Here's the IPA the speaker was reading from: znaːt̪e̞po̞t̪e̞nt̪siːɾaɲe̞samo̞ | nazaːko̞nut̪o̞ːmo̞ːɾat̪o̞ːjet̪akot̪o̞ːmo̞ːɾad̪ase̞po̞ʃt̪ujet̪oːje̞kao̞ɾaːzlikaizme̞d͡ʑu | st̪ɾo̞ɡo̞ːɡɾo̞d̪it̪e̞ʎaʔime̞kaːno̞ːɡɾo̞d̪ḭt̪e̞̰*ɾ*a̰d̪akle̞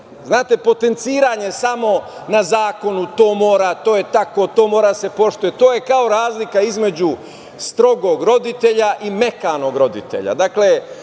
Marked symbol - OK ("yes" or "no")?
no